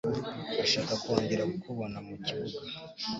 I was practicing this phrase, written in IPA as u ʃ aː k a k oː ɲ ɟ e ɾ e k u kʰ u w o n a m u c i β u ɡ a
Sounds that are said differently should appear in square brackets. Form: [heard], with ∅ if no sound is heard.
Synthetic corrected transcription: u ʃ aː k a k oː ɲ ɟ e ɾ [a] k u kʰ u [β] o n a m u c i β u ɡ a